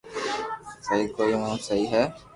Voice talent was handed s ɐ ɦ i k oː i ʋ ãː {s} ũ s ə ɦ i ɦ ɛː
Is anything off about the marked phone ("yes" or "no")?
yes